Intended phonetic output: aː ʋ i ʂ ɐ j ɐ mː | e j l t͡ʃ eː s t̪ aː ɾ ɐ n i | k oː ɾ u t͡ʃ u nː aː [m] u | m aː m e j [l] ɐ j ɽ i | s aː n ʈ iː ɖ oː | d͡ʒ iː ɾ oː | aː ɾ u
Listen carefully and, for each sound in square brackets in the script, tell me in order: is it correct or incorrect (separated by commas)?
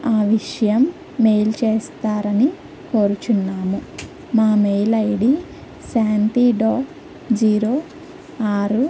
correct, correct